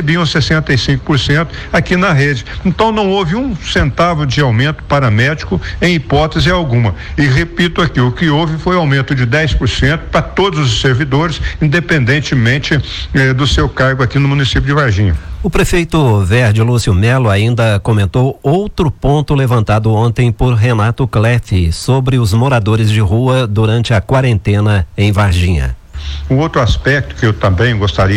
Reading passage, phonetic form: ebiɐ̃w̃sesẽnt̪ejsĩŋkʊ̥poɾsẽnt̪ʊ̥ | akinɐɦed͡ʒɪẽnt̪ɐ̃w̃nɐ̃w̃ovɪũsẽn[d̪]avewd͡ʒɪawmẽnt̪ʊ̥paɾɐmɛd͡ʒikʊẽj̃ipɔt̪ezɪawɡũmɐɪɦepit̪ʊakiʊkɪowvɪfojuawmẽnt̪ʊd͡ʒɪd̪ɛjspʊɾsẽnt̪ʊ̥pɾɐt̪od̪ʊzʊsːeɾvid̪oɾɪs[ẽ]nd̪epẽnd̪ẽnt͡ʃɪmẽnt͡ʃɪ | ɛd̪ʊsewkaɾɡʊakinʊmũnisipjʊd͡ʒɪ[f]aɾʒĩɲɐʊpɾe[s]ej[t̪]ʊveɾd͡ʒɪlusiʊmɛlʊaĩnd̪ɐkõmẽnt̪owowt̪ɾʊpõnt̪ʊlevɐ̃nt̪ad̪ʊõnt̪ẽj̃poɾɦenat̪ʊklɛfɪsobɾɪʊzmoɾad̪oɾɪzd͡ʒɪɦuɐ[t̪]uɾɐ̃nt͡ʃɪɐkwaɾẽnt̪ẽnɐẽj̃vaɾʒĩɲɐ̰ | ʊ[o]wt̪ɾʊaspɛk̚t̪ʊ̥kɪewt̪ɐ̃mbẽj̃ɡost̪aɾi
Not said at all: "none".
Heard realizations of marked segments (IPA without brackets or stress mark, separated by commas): t̪, ĩ, v, f, t̪, d̪, o